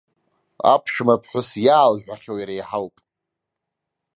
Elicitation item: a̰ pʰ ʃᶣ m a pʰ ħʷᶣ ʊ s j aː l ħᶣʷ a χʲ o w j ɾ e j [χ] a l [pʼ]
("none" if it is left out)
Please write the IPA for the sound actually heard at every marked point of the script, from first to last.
ħ, pʼ

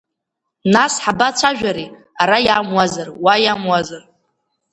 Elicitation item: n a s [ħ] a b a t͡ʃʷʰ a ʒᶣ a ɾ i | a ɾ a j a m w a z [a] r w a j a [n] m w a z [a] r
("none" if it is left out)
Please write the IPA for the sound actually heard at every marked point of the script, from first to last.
ħ, a, none, a

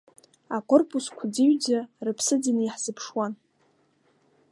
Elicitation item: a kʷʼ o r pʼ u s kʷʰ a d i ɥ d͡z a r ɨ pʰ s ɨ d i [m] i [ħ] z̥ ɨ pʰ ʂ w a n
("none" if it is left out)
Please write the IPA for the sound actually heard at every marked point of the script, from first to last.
n, ħ

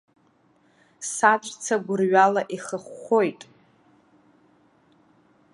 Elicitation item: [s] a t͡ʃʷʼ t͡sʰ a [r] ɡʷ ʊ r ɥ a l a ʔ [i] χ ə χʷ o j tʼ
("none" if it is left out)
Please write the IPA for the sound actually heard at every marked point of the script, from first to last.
s, none, i

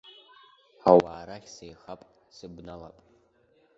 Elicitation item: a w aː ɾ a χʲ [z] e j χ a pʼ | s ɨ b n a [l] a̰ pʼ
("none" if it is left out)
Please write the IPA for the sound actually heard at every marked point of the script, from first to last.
s, l

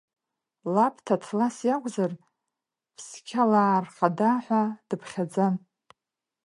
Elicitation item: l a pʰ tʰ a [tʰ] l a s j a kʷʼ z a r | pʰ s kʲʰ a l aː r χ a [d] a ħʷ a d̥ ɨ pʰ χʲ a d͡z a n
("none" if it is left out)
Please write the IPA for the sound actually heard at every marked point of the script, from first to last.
tʰ, d

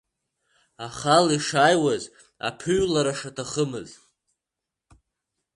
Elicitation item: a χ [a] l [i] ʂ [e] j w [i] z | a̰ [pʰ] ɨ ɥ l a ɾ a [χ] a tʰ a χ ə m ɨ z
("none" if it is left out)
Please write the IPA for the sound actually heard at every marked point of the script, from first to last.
a, i, a, a, pʰ, ʂ

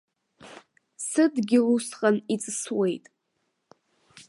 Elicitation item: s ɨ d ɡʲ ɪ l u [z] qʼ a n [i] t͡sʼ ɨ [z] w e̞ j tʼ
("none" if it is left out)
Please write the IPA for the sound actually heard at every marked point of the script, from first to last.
s, i, s

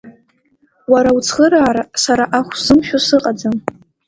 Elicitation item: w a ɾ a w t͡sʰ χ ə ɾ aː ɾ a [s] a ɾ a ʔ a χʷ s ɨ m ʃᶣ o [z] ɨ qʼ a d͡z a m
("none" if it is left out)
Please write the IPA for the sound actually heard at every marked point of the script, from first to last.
s, s

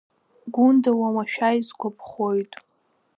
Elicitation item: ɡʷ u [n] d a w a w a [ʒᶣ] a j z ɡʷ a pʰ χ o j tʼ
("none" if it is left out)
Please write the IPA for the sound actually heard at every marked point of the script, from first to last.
n, ʃᶣ

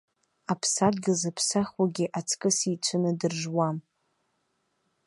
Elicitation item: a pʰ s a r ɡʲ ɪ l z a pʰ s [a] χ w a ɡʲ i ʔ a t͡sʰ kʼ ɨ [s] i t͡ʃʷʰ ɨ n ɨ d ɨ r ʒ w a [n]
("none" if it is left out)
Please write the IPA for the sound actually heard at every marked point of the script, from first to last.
a, s, m

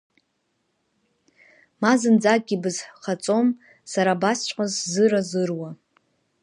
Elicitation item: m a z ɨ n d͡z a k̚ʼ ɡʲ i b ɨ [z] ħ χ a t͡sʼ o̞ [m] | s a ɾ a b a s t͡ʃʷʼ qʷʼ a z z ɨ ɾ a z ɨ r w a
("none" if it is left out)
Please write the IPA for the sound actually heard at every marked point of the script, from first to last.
z, m

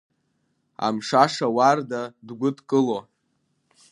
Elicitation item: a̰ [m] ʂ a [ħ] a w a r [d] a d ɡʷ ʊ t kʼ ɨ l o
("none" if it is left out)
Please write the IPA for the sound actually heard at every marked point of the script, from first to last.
m, ʂ, d

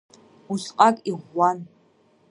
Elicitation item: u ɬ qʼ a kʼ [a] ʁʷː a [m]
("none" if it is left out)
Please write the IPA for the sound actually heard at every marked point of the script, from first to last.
i, n

